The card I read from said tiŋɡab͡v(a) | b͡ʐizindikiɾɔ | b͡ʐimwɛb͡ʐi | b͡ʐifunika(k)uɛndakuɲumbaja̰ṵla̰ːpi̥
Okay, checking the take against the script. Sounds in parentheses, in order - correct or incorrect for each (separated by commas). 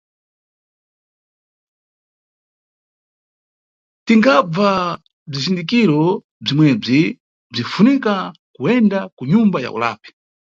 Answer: correct, correct